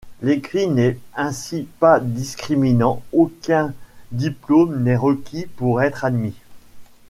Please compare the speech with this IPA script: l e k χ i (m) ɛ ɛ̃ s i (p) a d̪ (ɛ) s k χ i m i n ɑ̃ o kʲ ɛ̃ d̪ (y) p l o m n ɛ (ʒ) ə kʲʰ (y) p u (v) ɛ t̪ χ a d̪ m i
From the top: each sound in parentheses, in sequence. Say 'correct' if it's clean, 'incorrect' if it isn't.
incorrect: n, correct, incorrect: i, incorrect: i, incorrect: ʁ, incorrect: i, incorrect: ʁ

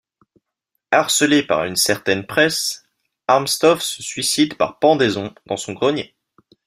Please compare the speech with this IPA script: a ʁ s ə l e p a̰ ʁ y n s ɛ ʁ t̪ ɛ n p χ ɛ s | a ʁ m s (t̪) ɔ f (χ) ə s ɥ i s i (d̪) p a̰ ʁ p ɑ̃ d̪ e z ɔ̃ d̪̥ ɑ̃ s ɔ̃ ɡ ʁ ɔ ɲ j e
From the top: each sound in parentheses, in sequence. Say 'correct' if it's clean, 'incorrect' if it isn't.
correct, incorrect: s, correct

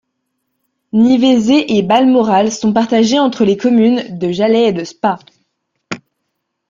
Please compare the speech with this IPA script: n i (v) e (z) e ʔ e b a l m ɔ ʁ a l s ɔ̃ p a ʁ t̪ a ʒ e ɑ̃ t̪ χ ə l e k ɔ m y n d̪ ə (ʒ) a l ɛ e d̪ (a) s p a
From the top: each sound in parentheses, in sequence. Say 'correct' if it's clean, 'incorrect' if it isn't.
correct, correct, correct, incorrect: ə

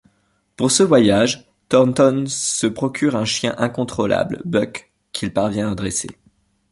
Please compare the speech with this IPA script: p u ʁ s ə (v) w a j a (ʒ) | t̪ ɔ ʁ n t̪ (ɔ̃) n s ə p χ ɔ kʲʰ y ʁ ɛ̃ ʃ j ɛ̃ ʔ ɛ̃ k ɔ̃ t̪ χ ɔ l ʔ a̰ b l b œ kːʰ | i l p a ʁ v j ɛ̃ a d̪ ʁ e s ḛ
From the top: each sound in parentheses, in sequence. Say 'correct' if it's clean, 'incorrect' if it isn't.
correct, correct, incorrect: ɔ

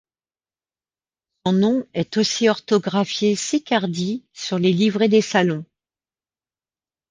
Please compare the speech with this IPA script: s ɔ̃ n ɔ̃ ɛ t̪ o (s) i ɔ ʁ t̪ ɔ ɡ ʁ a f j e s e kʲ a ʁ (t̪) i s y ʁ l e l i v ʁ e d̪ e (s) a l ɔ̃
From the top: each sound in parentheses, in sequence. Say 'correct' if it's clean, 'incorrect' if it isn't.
correct, incorrect: d̪, correct

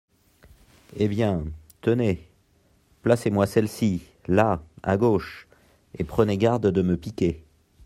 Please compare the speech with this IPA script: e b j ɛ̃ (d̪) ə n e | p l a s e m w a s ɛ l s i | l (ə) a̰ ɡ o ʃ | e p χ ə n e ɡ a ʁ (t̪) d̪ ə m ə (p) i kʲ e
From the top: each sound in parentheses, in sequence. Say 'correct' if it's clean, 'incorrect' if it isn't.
incorrect: t̪, incorrect: a, incorrect: d̪, correct

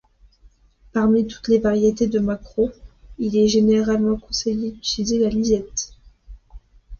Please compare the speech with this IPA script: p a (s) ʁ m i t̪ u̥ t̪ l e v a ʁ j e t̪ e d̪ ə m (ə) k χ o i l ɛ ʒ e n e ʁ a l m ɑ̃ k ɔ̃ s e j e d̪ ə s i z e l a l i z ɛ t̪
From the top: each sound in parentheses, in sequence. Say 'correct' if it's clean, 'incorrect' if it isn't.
incorrect: none, incorrect: a

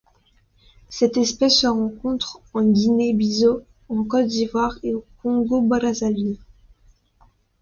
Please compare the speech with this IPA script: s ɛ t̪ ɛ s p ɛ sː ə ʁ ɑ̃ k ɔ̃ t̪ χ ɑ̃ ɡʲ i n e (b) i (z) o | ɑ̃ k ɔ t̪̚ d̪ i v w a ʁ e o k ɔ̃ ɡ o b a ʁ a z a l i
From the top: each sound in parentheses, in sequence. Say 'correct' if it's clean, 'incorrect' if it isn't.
correct, correct

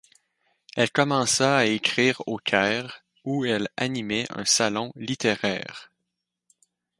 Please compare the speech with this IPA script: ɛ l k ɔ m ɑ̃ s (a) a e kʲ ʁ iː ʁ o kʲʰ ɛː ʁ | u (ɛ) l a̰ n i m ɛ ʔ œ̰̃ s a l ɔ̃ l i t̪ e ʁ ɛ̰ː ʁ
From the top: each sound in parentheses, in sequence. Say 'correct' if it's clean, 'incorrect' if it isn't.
correct, correct

